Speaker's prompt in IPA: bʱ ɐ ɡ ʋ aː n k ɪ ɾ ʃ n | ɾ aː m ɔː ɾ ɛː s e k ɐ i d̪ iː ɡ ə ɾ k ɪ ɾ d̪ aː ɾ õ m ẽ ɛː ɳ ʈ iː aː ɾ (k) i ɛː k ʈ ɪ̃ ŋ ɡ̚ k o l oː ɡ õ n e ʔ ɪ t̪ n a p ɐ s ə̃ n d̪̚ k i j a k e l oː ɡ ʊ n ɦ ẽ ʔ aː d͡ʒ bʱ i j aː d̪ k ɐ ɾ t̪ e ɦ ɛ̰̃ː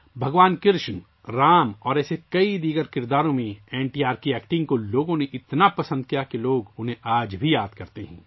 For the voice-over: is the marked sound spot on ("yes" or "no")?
yes